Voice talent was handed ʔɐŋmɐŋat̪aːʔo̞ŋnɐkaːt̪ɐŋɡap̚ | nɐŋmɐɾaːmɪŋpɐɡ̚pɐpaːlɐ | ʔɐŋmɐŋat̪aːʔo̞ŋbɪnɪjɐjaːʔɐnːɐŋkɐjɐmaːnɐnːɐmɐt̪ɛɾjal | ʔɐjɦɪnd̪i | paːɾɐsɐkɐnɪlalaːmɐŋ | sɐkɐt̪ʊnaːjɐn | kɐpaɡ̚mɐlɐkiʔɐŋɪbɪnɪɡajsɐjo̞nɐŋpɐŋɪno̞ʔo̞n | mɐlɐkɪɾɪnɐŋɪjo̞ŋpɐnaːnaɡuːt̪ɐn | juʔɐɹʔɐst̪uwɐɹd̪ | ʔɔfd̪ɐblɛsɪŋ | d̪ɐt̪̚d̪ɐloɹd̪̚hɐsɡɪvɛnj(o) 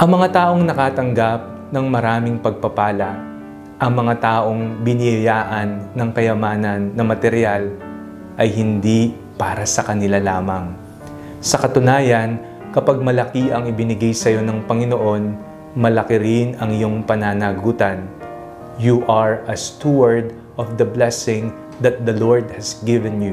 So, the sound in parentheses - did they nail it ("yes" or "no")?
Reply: no